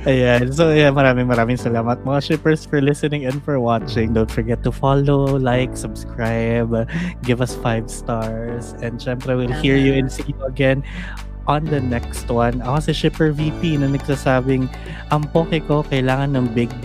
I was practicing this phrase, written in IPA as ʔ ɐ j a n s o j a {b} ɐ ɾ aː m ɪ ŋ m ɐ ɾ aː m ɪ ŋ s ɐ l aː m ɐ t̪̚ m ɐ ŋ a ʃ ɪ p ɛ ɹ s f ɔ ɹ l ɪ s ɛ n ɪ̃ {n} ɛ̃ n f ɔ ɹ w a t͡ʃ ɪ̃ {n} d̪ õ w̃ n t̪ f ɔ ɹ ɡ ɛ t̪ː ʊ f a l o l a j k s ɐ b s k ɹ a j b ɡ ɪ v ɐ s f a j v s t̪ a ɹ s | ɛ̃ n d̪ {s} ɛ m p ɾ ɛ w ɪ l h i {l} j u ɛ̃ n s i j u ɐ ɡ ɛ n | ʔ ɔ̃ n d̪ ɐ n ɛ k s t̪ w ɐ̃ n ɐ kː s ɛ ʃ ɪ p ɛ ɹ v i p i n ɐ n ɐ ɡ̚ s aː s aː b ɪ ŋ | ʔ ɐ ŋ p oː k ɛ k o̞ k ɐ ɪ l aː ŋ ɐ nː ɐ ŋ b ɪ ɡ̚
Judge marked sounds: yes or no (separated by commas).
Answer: no, no, no, no, no